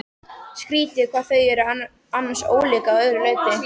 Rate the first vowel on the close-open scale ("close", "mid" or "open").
close